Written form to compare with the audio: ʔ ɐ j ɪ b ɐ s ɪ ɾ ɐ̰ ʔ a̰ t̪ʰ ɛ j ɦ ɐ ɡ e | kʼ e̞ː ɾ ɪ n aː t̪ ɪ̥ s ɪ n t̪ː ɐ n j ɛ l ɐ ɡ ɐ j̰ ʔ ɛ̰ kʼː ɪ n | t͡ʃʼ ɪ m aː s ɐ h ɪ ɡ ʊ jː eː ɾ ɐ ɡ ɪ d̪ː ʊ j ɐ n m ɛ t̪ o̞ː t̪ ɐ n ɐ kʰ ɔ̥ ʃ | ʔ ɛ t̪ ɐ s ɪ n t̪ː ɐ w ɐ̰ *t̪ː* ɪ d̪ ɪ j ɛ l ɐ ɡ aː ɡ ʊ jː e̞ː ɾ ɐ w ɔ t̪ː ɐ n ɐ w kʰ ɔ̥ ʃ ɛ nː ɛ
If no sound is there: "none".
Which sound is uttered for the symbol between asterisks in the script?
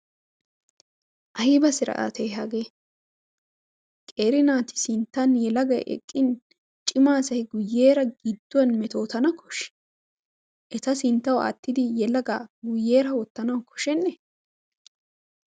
t̪ː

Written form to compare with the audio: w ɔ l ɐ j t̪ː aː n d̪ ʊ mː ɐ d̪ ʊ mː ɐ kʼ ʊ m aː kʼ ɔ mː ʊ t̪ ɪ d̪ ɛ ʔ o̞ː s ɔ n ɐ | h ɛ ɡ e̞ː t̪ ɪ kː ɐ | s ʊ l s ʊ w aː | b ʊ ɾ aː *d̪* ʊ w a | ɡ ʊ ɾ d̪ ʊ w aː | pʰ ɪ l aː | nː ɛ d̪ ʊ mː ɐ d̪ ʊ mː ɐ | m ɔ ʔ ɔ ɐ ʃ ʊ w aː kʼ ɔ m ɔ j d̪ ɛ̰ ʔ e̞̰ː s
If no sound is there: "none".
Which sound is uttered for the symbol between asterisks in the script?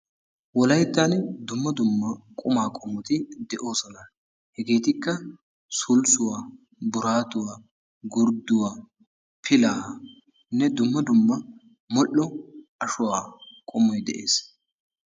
t̪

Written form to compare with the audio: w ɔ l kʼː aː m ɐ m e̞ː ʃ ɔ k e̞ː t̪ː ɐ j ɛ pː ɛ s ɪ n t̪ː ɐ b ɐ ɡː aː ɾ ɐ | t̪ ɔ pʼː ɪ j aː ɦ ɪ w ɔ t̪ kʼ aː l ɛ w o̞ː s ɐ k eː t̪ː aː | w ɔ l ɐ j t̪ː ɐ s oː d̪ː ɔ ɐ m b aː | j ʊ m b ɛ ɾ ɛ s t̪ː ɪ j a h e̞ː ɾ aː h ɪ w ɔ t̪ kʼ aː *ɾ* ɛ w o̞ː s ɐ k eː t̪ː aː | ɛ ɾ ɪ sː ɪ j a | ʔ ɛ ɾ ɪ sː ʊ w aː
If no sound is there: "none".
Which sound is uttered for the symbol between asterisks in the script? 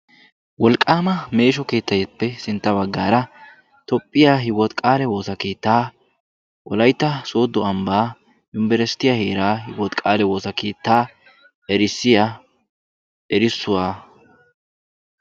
l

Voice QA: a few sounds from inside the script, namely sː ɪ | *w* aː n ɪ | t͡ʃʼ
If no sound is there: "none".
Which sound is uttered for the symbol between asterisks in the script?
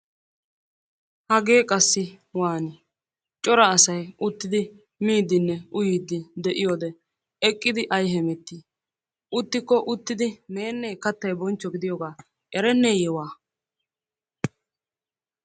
w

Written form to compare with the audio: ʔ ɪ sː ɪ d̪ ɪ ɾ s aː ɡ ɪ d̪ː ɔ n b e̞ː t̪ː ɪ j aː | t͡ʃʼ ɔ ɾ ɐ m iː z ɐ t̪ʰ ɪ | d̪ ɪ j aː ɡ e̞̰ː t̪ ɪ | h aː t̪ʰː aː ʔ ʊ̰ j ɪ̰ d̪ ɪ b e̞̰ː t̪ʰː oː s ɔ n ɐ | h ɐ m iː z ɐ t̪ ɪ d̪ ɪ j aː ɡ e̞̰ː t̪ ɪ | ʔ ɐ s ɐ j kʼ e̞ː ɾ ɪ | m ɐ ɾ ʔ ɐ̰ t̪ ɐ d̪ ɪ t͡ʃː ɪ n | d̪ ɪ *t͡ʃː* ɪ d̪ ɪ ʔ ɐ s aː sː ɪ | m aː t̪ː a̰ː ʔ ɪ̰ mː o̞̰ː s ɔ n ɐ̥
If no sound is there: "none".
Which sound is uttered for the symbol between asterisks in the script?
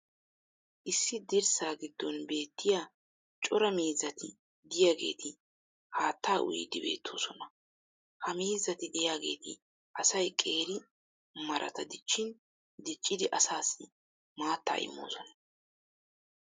t͡ʃʼː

